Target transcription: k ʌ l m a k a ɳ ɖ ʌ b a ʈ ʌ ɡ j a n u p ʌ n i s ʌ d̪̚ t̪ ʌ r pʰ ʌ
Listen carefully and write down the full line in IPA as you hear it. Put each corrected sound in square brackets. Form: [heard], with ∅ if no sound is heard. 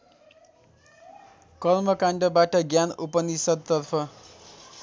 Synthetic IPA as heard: k ʌ l m [ʌ] k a ɳ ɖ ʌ b a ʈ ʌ ɡ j a n u p ʌ n i s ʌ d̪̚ t̪ ʌ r pʰ ʌ